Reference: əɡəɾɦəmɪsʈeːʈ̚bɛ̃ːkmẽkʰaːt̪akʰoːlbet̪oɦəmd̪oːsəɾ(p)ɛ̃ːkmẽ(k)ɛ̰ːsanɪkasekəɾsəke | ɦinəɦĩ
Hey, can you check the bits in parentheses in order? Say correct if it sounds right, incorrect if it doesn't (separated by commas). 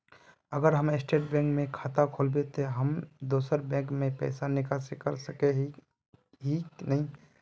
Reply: incorrect, incorrect